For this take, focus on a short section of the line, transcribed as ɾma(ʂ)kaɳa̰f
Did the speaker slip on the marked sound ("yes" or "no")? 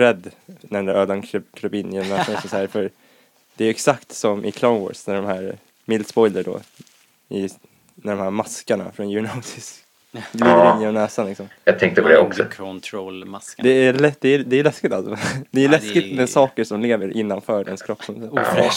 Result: yes